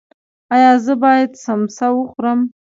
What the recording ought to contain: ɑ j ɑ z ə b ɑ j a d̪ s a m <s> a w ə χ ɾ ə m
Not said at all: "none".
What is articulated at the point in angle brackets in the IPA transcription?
s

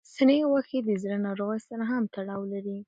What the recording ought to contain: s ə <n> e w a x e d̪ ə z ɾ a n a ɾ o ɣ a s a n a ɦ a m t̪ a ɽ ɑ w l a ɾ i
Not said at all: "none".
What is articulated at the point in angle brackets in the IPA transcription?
n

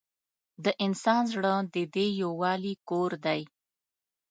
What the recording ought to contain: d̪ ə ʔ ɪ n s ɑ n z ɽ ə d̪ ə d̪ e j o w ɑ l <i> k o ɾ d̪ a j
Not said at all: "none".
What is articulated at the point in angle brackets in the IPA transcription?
i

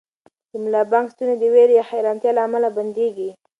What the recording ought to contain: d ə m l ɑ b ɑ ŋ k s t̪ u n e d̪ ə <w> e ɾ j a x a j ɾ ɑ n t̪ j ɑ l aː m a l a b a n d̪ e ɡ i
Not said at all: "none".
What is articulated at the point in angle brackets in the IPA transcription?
w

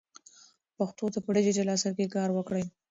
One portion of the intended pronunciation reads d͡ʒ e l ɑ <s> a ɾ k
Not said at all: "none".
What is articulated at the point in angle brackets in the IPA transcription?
s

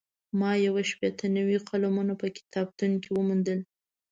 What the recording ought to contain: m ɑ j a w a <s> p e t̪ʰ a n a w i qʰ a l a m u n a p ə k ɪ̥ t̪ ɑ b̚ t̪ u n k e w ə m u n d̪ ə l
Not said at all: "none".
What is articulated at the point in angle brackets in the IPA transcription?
ʃ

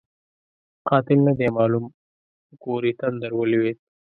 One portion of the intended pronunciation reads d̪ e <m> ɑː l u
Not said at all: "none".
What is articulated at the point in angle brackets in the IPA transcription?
m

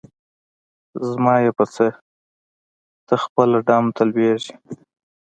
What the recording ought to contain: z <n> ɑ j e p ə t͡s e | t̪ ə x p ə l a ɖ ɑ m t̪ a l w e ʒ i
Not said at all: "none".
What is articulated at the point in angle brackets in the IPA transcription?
m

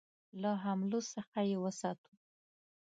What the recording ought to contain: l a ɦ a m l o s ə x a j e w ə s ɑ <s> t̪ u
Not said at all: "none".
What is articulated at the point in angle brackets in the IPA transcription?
none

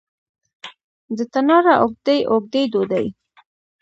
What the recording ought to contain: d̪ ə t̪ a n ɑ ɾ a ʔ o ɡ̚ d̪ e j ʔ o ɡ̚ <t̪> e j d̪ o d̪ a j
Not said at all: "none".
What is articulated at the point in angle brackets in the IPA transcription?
d̪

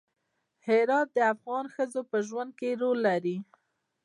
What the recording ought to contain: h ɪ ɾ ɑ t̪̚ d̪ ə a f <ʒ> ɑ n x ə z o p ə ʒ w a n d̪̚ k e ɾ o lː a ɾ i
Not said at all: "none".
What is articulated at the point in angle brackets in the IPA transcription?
ɣ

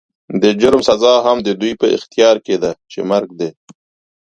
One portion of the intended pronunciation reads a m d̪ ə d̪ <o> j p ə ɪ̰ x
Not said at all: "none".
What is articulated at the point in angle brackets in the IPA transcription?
u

